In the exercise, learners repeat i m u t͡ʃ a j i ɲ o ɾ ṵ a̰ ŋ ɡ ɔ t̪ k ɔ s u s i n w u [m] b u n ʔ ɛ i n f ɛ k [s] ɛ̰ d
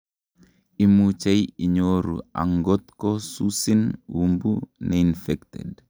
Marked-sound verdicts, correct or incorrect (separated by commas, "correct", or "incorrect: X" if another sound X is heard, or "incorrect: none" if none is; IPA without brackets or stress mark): correct, incorrect: t